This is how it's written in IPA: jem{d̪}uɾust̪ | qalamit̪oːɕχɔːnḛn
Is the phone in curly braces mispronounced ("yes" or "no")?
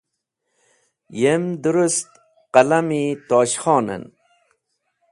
no